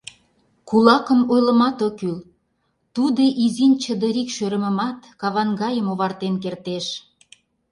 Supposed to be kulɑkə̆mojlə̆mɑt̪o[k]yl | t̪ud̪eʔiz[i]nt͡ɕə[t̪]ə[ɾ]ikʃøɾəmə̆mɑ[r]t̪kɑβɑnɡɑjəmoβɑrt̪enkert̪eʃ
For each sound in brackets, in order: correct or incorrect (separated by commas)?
correct, correct, incorrect, correct, incorrect